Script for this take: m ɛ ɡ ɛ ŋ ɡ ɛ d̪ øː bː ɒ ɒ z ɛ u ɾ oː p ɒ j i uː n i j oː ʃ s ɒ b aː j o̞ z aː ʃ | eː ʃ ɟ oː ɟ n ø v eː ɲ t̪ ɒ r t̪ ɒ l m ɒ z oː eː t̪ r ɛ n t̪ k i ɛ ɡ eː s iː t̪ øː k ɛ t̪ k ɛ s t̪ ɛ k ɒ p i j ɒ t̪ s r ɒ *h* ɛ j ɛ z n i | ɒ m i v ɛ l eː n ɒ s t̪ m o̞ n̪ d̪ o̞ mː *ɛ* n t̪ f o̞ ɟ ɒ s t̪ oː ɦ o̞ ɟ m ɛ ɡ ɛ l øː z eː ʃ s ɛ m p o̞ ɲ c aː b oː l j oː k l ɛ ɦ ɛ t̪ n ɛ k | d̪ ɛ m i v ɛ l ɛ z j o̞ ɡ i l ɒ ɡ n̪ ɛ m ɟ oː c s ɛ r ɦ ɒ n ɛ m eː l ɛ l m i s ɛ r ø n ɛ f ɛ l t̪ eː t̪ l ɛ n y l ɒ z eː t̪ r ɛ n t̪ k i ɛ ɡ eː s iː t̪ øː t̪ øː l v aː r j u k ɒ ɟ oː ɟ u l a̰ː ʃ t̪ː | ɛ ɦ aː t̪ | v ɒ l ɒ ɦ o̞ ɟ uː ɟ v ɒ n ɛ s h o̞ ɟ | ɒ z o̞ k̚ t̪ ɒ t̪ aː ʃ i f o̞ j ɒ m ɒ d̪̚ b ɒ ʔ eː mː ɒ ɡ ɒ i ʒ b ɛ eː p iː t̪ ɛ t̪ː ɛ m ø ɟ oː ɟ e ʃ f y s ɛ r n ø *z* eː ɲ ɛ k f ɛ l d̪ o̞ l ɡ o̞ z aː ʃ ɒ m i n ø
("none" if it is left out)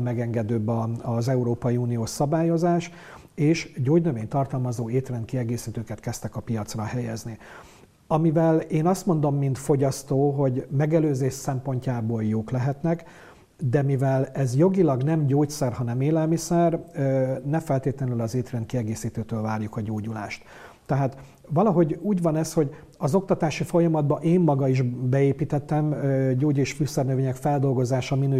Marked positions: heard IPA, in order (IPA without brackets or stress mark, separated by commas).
h, i, v